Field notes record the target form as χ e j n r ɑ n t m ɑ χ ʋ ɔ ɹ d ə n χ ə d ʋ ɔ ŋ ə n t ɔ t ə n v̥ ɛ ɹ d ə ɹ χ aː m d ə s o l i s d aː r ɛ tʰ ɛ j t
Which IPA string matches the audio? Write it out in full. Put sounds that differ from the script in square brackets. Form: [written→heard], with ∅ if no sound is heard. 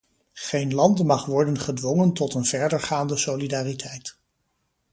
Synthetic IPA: χ e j n [r→l] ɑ n t m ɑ χ ʋ ɔ ɹ d ə n χ ə d ʋ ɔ ŋ ə n t ɔ t ə n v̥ ɛ ɹ d ə ɹ χ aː [m→n] d ə s o l i [s→∅] d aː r [ɛ→i] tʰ ɛ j t